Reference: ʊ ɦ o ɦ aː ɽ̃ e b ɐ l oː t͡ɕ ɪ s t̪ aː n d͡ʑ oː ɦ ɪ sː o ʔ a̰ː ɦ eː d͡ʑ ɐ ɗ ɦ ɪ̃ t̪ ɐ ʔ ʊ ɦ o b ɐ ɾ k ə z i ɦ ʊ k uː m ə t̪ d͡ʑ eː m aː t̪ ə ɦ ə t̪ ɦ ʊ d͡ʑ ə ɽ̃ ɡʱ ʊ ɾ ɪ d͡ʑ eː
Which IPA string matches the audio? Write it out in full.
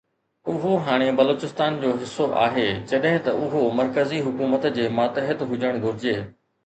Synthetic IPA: ʊ ɦ o ɦ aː ɽ̃ e b ɐ l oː t͡ɕ ɪ s t̪ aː n d͡ʑ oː ɦ ɪ sː o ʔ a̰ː ɦ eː d͡ʑ ɐ ɗ ɦ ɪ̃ t̪ ɐ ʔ ʊ ɦ o m ɐ ɾ k ə z i ɦ ʊ k uː m ə t̪ d͡ʑ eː m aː t̪ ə ɦ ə t̪ ɦ ʊ d͡ʑ ə ɽ̃ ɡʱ ʊ ɾ ɪ d͡ʑ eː